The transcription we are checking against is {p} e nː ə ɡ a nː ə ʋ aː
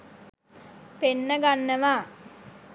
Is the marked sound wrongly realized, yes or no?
no